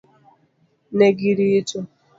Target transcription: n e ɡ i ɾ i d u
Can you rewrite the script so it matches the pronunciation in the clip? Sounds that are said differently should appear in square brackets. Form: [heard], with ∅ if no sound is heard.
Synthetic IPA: n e ɡ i ɾ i [t] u

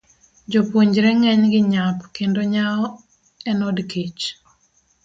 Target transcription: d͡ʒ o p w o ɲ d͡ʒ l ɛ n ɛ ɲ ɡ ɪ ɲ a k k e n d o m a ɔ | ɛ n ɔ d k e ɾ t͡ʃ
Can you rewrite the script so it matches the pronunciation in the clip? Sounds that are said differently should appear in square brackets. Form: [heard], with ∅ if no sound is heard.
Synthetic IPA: d͡ʒ o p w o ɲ d͡ʒ [ɾ] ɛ [ŋ] ɛ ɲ ɡ ɪ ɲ a [p] k e n d o [ɲ] a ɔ | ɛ n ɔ d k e [∅] t͡ʃ

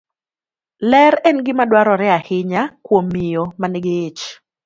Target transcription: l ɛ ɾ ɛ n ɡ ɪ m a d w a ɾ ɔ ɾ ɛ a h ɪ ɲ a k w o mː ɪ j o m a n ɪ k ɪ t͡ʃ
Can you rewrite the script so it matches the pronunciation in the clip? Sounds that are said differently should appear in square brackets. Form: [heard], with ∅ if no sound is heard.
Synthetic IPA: l ɛ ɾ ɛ n ɡ ɪ m a d w a ɾ ɔ ɾ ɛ a h ɪ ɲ a k w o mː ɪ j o m a n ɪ [ɡ] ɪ t͡ʃ

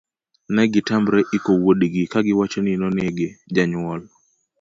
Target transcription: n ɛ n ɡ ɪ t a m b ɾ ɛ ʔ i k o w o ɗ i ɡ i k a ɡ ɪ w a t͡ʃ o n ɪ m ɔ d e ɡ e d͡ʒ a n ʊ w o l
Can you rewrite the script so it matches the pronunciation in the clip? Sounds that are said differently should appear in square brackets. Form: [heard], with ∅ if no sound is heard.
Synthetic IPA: n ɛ [∅] ɡ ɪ t a m b ɾ ɛ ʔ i k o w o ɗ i ɡ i k a ɡ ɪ w a t͡ʃ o n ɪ [n] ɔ [n] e ɡ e d͡ʒ a [ɲ] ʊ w [ɔ] l

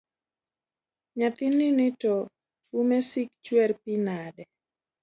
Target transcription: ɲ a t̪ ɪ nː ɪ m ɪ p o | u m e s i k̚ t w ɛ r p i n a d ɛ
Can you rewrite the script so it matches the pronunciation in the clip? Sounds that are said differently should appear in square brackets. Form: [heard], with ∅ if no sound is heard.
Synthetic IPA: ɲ a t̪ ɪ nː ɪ [n] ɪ [t] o | u m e s i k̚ [t͡ʃ] w ɛ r p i n a d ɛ

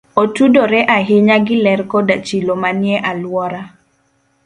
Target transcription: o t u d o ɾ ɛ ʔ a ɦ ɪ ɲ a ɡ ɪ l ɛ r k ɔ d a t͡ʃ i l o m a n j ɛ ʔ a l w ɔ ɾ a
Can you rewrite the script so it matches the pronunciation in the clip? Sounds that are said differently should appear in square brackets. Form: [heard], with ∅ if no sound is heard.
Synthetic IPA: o t u d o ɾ ɛ ʔ a ɦ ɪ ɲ a ɡ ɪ l ɛ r k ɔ d a t͡ʃ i l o m a n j ɛ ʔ a l w ɔ ɾ a

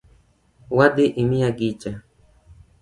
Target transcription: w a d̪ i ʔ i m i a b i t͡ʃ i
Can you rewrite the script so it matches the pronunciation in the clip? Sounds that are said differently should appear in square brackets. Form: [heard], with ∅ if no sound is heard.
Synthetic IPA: w a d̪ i ʔ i m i a [ɡ] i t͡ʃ [a]

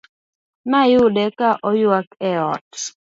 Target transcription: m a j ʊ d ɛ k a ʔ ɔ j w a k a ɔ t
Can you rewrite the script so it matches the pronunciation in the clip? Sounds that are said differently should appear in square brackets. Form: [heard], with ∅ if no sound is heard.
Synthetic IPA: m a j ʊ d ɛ k a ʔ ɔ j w a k [ɛ] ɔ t

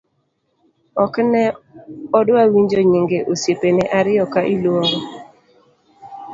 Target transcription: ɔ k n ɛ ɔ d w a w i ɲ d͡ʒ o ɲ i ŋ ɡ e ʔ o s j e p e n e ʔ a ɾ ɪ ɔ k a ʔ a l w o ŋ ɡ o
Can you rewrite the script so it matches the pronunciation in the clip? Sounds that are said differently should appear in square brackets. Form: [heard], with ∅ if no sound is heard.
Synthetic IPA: ɔ k n ɛ ɔ d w a w i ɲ d͡ʒ o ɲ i ŋ ɡ e ʔ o s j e p e n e ʔ a ɾ ɪ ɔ k a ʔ [i] l w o ŋ ɡ o

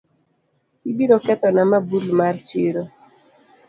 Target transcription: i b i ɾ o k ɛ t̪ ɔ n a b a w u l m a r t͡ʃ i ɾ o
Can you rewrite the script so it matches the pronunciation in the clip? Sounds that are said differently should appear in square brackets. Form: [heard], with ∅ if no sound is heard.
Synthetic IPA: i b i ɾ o k ɛ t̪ ɔ n a [m] a [b] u l m a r t͡ʃ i ɾ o

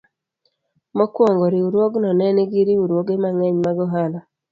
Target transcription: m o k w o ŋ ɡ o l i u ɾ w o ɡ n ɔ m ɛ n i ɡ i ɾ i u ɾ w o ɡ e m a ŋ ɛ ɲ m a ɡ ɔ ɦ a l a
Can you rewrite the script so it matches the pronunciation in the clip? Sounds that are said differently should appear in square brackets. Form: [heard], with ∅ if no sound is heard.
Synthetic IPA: m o k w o ŋ ɡ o [ɾ] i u ɾ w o ɡ n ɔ [n] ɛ n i ɡ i ɾ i u ɾ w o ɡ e m a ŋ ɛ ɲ m a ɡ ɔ ɦ a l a

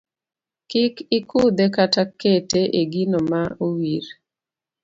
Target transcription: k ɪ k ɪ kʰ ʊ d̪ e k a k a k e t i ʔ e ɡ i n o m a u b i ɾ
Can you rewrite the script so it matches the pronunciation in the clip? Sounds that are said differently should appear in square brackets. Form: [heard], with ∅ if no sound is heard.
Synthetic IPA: k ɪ k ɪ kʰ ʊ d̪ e k a [t] a k e t [e] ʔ e ɡ i n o m a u [w] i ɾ

